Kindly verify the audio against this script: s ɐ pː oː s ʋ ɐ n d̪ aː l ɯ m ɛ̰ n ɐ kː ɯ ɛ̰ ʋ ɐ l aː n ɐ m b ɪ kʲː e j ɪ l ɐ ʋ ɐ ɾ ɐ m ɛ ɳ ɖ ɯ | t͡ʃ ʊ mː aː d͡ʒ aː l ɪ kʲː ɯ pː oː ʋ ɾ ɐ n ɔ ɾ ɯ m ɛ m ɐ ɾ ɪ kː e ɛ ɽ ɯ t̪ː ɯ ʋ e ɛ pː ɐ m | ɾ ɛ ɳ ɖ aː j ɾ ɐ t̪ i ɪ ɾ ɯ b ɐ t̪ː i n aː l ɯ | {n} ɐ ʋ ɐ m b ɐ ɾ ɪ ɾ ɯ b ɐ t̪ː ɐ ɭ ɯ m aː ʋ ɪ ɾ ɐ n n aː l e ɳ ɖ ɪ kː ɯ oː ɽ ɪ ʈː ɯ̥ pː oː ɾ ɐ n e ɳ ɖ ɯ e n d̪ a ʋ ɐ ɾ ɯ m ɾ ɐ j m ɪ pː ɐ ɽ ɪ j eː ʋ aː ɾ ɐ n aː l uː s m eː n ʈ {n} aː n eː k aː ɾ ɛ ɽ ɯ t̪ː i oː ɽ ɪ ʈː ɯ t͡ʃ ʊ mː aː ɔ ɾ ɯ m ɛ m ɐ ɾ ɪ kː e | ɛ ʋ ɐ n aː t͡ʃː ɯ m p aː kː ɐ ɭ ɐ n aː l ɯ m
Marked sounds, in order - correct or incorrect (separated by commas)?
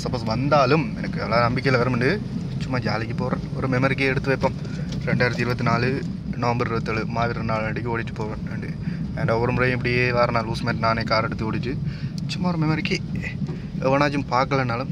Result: correct, correct